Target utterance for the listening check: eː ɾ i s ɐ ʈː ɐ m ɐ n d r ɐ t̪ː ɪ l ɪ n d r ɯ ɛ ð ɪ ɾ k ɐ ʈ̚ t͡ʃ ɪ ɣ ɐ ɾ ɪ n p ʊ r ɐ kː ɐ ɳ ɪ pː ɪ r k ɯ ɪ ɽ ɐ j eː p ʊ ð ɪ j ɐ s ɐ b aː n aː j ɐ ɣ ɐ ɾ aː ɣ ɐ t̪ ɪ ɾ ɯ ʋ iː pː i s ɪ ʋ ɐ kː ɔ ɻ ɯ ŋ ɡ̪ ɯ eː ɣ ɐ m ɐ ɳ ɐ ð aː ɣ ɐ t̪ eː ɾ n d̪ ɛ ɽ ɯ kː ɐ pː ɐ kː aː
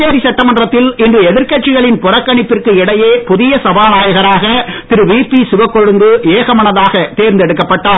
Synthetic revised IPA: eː ɾ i s ɐ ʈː ɐ m ɐ n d r ɐ t̪ː ɪ l ɪ n d r ɯ ɛ ð ɪ ɾ k ɐ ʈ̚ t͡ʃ ɪ ɣ ɐ ɭ ɪ n p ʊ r ɐ kː ɐ ɳ ɪ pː ɪ r k ɯ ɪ ɽ ɐ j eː p ʊ ð ɪ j ɐ s ɐ b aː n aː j ɐ ɣ ɐ ɾ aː ɣ ɐ t̪ ɪ ɾ ɯ ʋ iː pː i s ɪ ʋ ɐ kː ɔ ɻ ɯ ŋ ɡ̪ ɯ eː ɣ ɐ m ɐ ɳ ɐ ð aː ɣ ɐ t̪ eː ɾ n d̪ ɛ ɽ ɯ kː ɐ pː ɐ ʈː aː